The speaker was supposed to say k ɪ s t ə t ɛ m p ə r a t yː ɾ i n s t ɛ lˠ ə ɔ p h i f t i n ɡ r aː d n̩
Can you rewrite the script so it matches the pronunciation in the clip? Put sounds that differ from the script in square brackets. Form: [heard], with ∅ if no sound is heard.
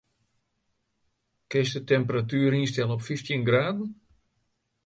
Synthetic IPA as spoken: k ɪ s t ə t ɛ m p ə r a t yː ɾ i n s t ɛ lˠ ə ɔ p [f] i f t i n ɡ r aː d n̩